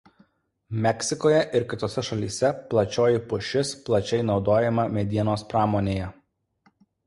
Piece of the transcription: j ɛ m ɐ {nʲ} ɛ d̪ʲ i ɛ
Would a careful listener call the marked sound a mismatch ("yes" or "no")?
yes